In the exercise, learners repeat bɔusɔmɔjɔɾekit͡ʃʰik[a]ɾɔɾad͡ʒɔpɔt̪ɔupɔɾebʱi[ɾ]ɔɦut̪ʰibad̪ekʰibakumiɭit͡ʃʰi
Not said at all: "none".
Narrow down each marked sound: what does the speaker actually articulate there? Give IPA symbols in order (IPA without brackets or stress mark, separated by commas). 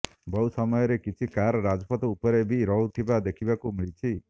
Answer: a, ɾ